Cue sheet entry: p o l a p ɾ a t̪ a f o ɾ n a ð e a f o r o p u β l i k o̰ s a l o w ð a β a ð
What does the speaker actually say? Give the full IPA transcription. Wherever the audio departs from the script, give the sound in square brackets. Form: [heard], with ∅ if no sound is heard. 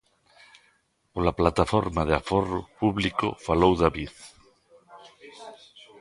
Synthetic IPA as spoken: p o l a p [l] a t̪ a f o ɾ [m] a ð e a f o r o p u β l i k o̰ [f] a l o w ð a β [i] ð